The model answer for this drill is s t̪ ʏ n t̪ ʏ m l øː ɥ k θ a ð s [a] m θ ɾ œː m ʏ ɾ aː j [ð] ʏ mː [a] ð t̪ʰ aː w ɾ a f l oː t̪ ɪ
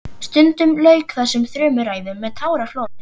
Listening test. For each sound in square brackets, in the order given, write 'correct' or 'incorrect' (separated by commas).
incorrect, correct, incorrect